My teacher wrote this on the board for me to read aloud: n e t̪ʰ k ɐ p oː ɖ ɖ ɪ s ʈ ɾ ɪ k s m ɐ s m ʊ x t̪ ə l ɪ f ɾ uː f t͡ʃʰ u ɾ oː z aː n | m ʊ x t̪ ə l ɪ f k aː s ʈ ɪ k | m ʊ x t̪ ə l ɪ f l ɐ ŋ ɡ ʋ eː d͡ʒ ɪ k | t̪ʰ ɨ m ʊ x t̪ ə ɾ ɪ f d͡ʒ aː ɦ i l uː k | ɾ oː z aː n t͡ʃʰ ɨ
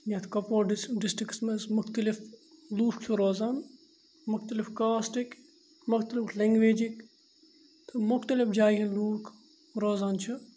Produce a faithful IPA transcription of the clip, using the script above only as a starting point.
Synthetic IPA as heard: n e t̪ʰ k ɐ p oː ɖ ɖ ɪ s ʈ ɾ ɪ k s m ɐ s m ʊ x t̪ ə l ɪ f l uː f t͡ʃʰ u ɾ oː z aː n | m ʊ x t̪ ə l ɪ f k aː s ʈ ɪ k | m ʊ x t̪ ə l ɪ f l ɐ ŋ ɡ ʋ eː d͡ʒ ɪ k | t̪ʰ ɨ m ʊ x t̪ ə l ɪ f d͡ʒ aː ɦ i l uː k | ɾ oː z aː n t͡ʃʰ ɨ